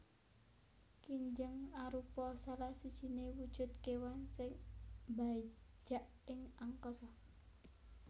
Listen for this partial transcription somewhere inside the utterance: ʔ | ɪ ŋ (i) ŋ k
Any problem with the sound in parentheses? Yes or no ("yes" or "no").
yes